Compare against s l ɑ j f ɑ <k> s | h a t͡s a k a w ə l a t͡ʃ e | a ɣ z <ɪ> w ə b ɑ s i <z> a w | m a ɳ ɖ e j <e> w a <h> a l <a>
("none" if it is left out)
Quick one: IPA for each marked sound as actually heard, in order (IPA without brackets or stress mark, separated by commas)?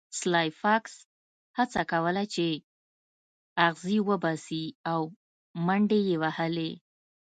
k, i, none, e, h, e